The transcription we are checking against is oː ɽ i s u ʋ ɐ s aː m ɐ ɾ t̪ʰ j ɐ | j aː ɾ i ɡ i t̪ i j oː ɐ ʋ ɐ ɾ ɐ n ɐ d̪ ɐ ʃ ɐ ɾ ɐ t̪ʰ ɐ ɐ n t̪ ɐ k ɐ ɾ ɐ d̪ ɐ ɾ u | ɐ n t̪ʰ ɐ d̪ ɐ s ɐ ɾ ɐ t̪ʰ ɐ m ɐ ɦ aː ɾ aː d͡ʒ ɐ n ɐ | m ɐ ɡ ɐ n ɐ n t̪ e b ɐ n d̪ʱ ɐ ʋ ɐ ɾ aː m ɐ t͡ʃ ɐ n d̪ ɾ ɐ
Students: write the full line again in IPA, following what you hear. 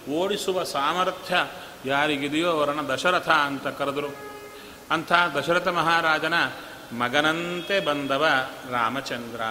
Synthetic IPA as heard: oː ɽ i s u ʋ ɐ s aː m ɐ ɾ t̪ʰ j ɐ | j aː ɾ i ɡ i d̪ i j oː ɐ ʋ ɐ ɾ ɐ n ɐ d̪ ɐ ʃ ɐ ɾ ɐ t̪ʰ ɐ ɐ n t̪ ɐ k ɐ ɾ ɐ d̪ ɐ ɾ u | ɐ n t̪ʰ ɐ d̪ ɐ ʃ ɐ ɾ ɐ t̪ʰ ɐ m ɐ ɦ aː ɾ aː d͡ʒ ɐ n ɐ | m ɐ ɡ ɐ n ɐ n t̪ e b ɐ n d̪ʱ ɐ ʋ ɐ ɾ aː m ɐ t͡ʃ ɐ n d̪ ɾ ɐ